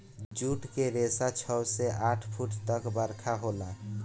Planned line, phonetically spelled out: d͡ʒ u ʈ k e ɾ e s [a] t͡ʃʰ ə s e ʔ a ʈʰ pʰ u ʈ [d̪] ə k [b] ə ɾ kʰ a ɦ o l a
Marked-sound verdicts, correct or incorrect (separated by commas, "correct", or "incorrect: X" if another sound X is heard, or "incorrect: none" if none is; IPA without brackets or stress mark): correct, incorrect: t̪, correct